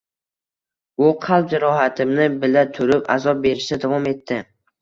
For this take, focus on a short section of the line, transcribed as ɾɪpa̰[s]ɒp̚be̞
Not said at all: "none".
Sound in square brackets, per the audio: z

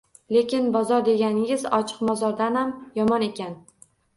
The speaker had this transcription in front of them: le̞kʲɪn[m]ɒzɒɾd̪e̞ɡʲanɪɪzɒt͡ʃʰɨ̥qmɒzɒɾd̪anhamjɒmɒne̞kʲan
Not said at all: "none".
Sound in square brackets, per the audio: b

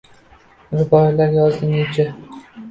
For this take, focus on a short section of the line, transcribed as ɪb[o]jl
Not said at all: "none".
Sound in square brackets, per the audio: ɒ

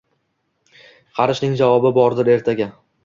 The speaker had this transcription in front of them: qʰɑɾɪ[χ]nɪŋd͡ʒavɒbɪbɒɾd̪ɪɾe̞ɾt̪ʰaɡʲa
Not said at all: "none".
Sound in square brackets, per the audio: ʃ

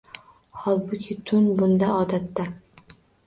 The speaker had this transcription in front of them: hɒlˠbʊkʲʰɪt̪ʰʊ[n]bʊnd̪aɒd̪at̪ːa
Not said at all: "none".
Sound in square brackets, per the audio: n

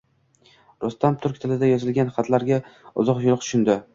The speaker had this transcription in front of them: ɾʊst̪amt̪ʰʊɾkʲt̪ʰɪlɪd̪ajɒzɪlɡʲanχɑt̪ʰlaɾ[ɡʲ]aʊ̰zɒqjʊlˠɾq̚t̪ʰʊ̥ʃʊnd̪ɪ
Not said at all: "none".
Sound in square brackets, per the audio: ɡʲ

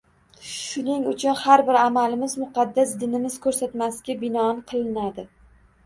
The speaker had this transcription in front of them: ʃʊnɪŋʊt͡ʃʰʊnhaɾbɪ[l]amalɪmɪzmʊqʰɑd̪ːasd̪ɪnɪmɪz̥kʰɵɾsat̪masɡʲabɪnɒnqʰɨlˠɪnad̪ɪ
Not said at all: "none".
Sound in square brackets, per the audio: ɾ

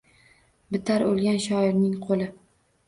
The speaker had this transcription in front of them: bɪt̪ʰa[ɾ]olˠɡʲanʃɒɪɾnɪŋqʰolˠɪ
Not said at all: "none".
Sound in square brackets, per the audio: ɾ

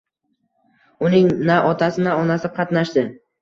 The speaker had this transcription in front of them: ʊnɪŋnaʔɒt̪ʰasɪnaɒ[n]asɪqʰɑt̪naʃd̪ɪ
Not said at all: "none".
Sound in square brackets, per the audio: n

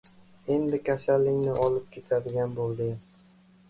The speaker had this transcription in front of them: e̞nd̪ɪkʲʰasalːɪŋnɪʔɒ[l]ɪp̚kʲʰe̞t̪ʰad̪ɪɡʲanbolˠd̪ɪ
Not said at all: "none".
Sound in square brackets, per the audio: l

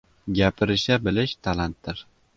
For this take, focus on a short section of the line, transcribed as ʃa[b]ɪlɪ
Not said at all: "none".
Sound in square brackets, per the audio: b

